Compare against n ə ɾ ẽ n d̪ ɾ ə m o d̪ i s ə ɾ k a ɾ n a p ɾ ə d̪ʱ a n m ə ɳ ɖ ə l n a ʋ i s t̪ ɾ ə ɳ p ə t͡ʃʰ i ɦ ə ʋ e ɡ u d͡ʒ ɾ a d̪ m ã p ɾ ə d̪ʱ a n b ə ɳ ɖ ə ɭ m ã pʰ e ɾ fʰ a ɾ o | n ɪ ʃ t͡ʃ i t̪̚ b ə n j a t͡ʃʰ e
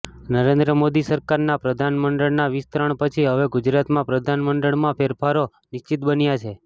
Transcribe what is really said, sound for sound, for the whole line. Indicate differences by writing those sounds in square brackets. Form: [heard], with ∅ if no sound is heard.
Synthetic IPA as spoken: n ə ɾ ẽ n d̪ ɾ ə m o d̪ i s ə ɾ k a ɾ n a p ɾ ə d̪ʱ a n m ə ɳ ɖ ə [ɭ] n a ʋ i s t̪ ɾ ə ɳ p ə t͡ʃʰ i ɦ ə ʋ e ɡ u d͡ʒ ɾ a [t̪] m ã p ɾ ə d̪ʱ a n [m] ə ɳ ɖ ə ɭ m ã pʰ e ɾ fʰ a ɾ o | n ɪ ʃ t͡ʃ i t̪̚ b ə n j a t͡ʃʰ e